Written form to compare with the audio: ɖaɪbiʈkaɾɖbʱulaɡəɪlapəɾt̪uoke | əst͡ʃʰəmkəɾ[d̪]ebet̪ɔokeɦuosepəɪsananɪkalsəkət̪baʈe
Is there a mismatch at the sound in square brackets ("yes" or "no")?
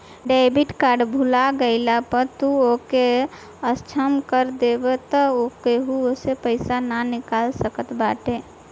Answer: no